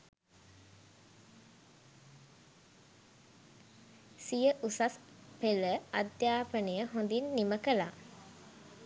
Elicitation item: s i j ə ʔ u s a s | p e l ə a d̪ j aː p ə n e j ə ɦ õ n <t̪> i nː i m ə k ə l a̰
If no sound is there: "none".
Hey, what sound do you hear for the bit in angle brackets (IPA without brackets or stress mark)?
d̪